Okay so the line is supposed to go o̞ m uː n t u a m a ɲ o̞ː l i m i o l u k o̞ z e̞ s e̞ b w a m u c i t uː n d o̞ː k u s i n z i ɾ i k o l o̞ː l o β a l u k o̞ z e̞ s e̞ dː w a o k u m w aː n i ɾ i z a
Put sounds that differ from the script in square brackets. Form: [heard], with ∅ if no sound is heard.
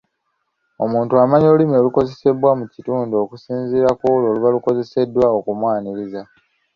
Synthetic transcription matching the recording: o̞ m uː n t u a m a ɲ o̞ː l i m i o l u k o̞ z e̞ s e̞ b w a m u c i t uː n d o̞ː k u s [iː] n z i ɾ [a] k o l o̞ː l [u] β a l u k o̞ z e̞ s e̞ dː w a o k u m w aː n i ɾ i z a

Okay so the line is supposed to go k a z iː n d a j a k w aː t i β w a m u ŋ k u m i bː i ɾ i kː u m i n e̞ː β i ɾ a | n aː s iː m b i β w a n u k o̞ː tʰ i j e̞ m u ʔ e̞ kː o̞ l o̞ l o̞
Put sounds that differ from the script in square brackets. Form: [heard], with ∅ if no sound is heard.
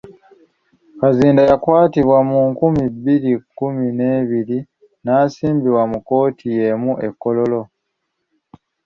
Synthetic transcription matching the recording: k a z iː n d a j a k w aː t i β w a m u ŋ k u m i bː i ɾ i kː u m i n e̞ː β i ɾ [i] | n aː s iː m b i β w a [m] u k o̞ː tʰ i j e̞ m u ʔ e̞ kː o̞ l o̞ l o̞

